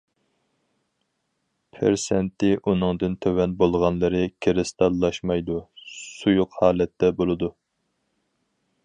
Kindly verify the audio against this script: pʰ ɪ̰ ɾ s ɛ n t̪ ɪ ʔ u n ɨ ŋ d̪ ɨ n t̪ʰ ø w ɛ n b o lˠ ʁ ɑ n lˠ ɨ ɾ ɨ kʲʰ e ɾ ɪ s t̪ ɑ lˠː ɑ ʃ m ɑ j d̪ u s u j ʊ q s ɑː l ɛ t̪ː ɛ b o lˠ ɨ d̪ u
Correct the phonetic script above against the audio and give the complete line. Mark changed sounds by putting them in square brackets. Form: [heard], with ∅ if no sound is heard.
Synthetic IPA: pʰ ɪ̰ ɾ s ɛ n t̪ ɪ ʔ u n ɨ ŋ d̪ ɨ n t̪ʰ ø w ɛ n b o lˠ ʁ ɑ n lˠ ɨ ɾ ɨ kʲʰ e ɾ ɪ s t̪ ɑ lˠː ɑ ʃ m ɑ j d̪ u s u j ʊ q [h] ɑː l ɛ t̪ː ɛ b o lˠ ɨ d̪ u